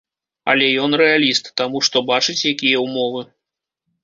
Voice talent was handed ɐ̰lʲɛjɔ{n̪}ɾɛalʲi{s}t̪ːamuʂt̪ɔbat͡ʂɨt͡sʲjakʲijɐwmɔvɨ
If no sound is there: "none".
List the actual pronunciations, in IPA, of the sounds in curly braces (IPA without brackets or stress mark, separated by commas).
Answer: n̪, s